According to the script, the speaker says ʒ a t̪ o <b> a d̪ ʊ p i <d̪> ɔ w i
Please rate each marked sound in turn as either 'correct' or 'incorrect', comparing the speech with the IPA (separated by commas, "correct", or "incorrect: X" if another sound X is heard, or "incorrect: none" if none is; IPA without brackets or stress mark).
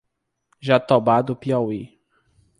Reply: correct, incorrect: none